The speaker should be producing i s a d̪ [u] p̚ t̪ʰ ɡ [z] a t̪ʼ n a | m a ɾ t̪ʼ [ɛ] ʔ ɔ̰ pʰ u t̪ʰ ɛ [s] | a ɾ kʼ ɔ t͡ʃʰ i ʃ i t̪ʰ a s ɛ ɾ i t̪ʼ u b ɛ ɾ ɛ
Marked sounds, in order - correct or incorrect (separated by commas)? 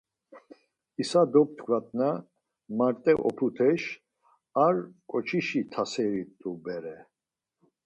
incorrect, incorrect, correct, incorrect